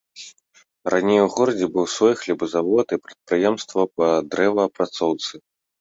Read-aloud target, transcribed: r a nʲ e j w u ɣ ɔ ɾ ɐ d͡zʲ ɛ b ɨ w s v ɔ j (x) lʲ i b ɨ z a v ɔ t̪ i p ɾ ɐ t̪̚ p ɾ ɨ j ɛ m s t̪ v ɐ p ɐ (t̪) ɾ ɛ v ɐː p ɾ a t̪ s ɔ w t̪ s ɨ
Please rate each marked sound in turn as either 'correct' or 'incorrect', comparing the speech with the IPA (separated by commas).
correct, incorrect